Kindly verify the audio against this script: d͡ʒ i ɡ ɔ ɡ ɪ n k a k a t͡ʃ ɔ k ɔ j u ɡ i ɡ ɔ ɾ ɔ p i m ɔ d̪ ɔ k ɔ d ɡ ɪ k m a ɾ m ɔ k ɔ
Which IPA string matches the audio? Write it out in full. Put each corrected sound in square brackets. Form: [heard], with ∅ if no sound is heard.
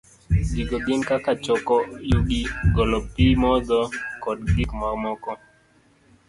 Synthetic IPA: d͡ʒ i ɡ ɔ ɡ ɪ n k a k a t͡ʃ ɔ k ɔ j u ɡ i ɡ ɔ [l] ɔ p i m ɔ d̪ ɔ k ɔ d ɡ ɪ k m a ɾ m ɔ k ɔ